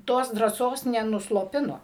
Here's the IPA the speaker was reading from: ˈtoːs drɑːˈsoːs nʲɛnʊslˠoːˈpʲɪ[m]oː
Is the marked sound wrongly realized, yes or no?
yes